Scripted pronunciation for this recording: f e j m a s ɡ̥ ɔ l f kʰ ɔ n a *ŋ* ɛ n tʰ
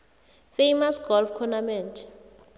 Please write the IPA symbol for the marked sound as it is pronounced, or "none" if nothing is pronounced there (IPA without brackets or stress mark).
m